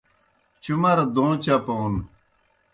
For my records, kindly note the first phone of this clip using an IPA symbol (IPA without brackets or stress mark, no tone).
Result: t͡ɕ